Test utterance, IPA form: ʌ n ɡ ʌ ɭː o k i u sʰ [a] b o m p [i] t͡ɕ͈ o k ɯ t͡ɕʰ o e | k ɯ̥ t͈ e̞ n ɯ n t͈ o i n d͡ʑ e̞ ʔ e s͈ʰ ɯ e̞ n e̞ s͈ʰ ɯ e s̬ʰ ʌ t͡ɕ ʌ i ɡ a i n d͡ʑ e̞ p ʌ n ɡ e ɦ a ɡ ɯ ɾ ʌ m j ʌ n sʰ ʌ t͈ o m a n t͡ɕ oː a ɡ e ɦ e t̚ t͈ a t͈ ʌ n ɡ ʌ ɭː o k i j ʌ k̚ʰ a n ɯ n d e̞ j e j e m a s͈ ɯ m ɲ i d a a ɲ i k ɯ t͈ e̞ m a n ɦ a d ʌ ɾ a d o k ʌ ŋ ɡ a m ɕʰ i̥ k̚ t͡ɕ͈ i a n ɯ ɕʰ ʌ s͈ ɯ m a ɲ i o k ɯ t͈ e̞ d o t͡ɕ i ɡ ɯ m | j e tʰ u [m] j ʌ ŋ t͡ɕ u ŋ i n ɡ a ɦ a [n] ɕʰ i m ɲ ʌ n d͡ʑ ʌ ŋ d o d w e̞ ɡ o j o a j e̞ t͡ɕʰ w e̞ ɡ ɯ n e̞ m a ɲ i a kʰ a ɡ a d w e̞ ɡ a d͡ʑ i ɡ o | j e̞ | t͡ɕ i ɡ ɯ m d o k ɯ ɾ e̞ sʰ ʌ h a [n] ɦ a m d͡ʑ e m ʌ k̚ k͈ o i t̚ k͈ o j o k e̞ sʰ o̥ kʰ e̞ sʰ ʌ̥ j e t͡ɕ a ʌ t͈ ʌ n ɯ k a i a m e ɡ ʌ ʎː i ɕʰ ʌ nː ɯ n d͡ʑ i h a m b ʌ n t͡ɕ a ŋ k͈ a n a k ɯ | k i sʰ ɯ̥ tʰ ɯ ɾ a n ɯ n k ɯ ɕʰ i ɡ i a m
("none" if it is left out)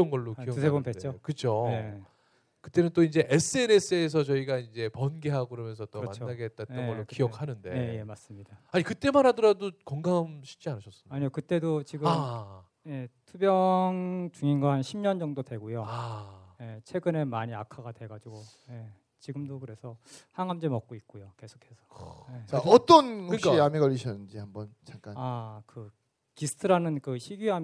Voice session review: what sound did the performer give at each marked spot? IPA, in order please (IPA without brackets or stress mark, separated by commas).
e, e, b, n, ŋ